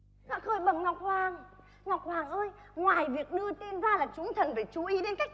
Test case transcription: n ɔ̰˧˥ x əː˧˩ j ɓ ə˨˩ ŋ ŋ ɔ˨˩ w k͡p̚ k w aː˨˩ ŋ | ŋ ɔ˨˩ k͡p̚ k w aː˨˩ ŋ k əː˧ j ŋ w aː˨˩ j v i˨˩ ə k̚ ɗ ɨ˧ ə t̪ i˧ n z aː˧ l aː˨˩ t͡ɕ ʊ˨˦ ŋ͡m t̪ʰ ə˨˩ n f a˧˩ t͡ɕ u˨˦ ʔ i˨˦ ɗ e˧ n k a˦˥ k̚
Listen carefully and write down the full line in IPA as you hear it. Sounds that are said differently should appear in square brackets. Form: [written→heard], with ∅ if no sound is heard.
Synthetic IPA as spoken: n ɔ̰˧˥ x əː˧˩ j ɓ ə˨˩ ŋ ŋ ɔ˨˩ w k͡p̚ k w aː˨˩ ŋ | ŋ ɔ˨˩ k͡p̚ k w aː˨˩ ŋ [k→ʔ] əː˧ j ŋ w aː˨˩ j v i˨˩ ə k̚ ɗ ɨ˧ ə t̪ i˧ n z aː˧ l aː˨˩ t͡ɕ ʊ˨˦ ŋ͡m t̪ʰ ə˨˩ n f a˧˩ t͡ɕ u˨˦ ʔ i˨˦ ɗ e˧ n k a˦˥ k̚